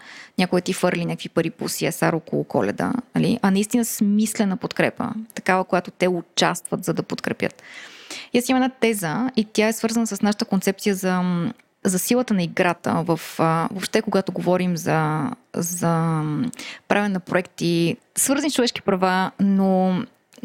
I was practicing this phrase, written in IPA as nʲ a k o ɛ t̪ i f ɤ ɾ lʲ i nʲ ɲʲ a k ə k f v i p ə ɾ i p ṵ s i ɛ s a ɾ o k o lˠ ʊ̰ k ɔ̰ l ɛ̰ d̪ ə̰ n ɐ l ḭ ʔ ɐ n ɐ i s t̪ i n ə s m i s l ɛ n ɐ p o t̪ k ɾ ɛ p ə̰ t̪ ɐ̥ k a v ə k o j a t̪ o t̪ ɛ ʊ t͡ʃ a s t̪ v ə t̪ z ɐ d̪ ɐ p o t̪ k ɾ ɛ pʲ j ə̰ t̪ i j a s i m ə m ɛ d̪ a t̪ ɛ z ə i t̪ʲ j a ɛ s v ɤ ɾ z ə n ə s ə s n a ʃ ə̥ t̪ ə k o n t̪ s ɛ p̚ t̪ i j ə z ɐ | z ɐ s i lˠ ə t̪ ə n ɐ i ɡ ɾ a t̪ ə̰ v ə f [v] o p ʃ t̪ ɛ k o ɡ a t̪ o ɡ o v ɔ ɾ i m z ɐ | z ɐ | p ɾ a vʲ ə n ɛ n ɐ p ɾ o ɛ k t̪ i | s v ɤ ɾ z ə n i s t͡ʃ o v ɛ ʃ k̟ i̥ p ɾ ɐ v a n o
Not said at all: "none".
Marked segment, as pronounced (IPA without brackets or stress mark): v